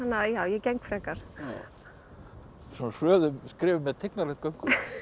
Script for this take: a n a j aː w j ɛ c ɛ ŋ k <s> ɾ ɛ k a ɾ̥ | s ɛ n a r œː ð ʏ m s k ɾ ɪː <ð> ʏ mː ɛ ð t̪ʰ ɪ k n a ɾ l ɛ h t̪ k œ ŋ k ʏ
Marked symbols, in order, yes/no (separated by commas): no, no